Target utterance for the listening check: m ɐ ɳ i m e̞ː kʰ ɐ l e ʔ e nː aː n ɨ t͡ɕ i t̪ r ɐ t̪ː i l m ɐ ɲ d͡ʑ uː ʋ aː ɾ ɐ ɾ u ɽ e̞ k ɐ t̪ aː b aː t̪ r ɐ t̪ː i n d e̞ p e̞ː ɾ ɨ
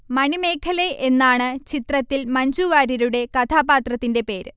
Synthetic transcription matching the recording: m ɐ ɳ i m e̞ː kʰ ɐ l e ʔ e nː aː ɳ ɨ t͡ɕ i t̪ r ɐ t̪ː i l m ɐ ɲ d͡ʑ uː ʋ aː ɾ ɐ ɾ u ɽ e̞ k ɐ t̪ʰ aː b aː t̪ r ɐ t̪ː i n d e̞ p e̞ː ɾ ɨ